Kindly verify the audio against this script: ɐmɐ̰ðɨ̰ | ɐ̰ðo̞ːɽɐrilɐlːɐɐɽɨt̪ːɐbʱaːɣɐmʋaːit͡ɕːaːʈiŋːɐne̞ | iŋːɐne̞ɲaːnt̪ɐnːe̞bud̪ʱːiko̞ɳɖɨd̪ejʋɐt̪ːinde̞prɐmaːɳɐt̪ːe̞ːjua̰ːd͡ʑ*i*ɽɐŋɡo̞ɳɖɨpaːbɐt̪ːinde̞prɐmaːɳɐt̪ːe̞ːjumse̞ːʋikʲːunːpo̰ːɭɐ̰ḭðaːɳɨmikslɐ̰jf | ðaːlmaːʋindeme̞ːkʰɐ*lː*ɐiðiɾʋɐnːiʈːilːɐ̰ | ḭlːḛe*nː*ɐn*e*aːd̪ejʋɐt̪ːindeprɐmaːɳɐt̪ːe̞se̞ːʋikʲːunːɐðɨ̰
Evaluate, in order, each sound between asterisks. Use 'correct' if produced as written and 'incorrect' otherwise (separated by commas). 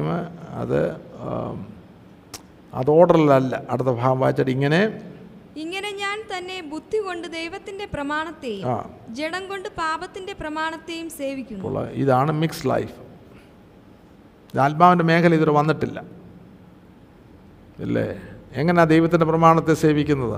incorrect, incorrect, incorrect, correct